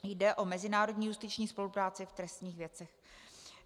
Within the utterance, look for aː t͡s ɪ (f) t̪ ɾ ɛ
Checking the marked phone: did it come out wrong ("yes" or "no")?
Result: no